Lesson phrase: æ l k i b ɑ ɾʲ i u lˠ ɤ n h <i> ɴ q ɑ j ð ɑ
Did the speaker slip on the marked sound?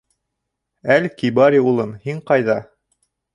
no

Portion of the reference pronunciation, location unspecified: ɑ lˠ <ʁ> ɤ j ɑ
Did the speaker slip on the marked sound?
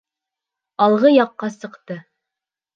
no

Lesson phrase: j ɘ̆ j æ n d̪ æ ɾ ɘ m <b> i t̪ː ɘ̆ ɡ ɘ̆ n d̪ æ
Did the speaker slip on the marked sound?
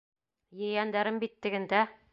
no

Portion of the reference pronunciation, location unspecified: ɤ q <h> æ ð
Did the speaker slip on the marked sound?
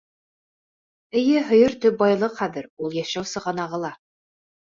yes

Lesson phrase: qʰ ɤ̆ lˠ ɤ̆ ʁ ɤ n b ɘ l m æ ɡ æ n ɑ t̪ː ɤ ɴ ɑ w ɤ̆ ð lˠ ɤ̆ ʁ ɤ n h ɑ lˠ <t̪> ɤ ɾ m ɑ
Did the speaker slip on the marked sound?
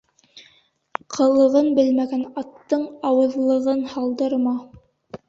yes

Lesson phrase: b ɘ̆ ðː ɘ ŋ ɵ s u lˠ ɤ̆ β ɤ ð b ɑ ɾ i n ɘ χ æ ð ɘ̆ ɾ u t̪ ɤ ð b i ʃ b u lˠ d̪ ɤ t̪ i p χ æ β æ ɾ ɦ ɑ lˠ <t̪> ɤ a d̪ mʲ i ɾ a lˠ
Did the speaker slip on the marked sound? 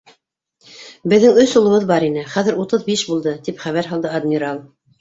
yes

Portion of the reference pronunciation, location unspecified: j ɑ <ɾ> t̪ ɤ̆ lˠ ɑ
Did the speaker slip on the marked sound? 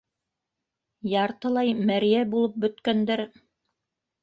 no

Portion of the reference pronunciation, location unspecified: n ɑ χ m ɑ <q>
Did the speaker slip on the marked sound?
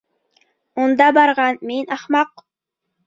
no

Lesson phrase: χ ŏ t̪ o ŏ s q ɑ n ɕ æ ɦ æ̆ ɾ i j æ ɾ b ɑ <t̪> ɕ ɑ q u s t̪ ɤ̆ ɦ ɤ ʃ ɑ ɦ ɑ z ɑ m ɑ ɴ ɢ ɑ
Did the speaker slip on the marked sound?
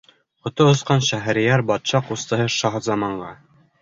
no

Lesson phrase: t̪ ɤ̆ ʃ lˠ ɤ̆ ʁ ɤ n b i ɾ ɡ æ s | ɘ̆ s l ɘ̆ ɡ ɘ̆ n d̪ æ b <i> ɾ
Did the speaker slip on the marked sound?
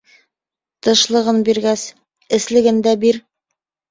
no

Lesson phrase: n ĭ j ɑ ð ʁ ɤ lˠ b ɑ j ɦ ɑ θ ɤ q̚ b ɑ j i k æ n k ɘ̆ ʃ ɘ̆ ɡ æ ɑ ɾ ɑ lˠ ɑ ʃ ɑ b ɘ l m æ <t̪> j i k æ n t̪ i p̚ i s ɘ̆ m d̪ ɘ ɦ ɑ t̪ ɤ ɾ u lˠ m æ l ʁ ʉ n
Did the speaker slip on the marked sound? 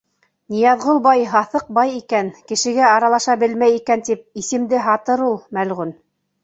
yes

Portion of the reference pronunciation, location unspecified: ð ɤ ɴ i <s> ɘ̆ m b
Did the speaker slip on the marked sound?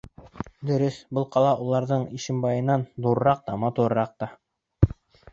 yes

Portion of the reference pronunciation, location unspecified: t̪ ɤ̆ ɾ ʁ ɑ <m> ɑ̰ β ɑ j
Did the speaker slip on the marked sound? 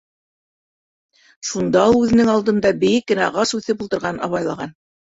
yes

